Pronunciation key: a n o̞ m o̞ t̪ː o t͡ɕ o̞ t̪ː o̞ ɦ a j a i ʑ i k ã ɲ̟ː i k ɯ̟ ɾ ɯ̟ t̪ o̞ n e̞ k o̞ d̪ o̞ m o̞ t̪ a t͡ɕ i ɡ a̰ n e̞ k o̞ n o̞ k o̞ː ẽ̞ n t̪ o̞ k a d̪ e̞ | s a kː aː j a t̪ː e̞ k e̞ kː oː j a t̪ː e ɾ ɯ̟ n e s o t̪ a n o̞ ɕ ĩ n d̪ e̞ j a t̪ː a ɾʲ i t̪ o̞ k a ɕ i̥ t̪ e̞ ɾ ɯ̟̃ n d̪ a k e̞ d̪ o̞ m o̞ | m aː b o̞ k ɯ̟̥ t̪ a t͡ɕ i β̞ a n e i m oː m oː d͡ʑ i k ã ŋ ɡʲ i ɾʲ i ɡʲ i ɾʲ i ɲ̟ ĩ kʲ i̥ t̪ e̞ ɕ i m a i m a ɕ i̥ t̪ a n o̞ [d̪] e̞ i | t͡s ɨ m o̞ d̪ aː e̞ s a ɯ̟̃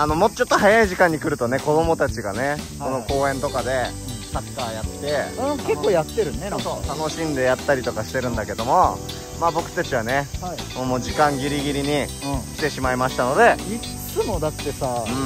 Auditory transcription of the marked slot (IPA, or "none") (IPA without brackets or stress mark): d̪